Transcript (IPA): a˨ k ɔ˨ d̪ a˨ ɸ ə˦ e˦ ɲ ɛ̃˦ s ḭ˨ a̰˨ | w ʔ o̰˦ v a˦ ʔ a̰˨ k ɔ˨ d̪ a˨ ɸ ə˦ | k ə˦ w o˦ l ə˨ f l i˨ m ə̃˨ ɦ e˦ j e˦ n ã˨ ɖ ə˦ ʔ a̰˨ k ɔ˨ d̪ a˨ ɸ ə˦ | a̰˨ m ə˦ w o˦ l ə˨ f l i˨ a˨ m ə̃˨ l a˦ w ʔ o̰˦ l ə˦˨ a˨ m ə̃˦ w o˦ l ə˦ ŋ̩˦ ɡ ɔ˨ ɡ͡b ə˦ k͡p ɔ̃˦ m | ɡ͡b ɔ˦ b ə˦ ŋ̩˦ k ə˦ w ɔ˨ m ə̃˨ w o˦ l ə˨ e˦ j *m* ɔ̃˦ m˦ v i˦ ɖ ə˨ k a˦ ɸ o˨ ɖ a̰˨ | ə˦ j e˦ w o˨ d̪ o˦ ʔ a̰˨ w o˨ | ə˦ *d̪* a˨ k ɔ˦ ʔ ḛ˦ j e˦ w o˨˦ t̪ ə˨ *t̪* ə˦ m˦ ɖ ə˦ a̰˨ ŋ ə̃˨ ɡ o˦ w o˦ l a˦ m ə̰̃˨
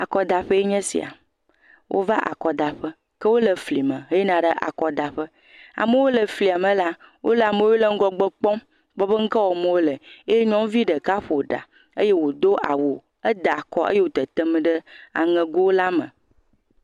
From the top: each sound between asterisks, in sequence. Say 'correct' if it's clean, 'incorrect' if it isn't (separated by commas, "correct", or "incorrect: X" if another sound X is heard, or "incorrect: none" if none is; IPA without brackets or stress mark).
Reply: incorrect: ɲ, correct, correct